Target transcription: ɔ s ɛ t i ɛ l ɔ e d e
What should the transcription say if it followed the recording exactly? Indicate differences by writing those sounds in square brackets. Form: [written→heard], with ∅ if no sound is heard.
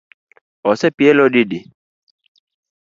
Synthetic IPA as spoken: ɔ s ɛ [t→p] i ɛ l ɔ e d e